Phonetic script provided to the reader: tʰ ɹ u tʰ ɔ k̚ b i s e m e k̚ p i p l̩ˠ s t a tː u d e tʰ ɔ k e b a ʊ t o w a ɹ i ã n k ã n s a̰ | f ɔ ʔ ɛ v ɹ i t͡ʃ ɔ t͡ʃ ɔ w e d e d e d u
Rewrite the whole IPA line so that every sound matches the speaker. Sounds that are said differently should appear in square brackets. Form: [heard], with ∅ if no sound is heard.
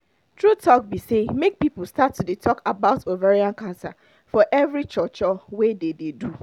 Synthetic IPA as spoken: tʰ ɹ u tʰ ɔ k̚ b i s e m e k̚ p i p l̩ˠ s t a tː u d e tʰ ɔ k [a] b a ʊ t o [v] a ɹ i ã n k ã n s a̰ | f ɔ ʔ ɛ v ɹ i t͡ʃ ɔ t͡ʃ ɔ w e d e d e d u

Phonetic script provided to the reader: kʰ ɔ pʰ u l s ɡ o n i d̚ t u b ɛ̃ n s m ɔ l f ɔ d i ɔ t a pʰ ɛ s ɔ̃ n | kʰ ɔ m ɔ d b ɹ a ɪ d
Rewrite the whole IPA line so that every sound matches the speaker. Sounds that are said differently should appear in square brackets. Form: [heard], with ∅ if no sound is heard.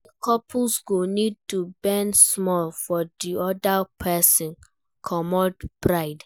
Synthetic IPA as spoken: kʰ ɔ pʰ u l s ɡ o n i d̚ t u b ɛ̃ n s m ɔ l f ɔ d i ɔ [d] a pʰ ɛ s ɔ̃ n | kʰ ɔ m ɔ d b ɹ a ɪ d

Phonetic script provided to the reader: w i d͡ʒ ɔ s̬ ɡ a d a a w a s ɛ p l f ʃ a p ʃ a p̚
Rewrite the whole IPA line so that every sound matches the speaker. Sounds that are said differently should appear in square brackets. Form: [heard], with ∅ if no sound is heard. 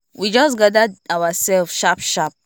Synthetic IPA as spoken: w i d͡ʒ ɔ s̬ ɡ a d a a w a s ɛ [∅] l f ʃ a p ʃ a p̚

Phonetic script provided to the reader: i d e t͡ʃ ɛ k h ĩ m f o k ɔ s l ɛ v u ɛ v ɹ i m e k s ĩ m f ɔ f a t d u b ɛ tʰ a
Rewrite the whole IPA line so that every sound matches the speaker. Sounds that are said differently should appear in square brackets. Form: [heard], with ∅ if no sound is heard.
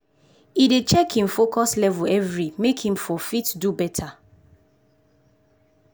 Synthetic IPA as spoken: i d e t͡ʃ ɛ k h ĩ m f o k ɔ s l ɛ v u ɛ v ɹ i m e k [h] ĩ m f ɔ f [i] t d u b ɛ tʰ a

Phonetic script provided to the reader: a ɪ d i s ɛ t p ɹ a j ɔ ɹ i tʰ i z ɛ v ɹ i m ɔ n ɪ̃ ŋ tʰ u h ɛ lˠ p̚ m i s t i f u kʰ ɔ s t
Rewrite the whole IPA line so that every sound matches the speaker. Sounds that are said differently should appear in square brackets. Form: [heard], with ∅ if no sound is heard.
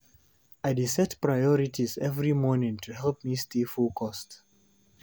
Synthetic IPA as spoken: a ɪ d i s ɛ t p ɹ a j ɔ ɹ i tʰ i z ɛ v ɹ i m ɔ n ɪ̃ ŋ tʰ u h ɛ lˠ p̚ m i s t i f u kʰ ɔ s t

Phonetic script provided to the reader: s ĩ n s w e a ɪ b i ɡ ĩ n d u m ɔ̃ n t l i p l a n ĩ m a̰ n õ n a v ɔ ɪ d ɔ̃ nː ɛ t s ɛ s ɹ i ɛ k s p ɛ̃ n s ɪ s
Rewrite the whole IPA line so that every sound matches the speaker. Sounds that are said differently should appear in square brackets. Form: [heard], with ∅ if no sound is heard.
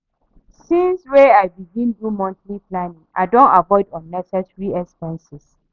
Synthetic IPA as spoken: s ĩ n s w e a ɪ b i ɡ ĩ n d u m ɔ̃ n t l i p l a n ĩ [ŋ] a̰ [d] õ n a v ɔ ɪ d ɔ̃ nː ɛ [∅] s ɛ s ɹ i ɛ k s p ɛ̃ n s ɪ s

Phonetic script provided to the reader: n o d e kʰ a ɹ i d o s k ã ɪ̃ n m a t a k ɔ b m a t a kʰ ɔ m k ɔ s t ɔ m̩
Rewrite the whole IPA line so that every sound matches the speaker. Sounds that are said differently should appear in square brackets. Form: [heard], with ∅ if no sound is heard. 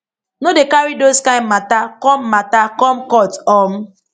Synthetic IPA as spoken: n o d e [k] a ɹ i d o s k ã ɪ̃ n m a t a k ɔ [m] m a t a [k] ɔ m k ɔ [∅] t ɔ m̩

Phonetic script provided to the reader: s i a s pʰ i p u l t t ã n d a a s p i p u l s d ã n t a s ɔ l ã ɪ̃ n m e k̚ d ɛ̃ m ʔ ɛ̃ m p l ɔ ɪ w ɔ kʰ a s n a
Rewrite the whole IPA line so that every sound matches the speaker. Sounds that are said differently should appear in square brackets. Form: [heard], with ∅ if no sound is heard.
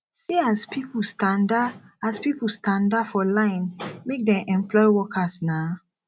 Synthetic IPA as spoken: s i a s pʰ i p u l [s] t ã n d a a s p i p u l s [t] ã n [d] a [f] ɔ l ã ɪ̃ n m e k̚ d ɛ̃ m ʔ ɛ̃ m p l ɔ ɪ w ɔ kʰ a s n a

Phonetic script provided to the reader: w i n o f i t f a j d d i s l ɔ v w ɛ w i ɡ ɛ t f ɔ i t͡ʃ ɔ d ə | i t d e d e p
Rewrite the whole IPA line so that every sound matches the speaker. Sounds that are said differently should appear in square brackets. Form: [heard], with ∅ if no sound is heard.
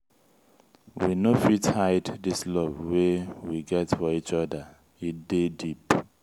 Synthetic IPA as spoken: w i n o f i t [h] a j d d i s l ɔ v w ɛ w i ɡ ɛ t f ɔ i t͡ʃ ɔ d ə | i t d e d [i] p

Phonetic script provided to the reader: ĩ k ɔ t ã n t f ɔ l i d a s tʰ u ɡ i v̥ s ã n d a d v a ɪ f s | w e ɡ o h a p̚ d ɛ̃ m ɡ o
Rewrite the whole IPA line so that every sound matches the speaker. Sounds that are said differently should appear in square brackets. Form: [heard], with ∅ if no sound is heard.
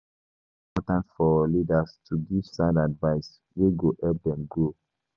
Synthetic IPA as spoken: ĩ [p] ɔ t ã n t f ɔ l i d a s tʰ u ɡ i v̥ s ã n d a d v a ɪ [∅] s | w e ɡ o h [ɛ] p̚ d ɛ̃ m ɡ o

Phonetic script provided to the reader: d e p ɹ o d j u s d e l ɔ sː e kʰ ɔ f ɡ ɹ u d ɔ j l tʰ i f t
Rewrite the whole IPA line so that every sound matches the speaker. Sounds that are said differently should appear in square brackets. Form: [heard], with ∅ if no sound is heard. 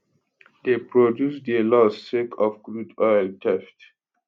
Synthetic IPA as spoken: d e p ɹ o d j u s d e l ɔ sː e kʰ ɔ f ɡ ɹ u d ɔ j l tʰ [ɛ] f t

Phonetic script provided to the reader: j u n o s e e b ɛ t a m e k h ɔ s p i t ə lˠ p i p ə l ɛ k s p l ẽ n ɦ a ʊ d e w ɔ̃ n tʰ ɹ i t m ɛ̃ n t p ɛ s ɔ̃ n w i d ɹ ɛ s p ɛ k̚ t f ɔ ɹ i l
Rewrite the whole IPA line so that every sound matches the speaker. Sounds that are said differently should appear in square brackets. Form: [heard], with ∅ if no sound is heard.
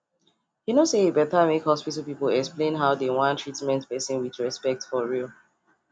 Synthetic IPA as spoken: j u n o s e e b ɛ t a m e k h ɔ s p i t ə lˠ p i p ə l ɛ k s p l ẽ n ɦ a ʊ d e w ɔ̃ n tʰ ɹ i t m ɛ̃ n t p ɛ s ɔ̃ n w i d ɹ ɛ s p ɛ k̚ t f ɔ ɹ i l

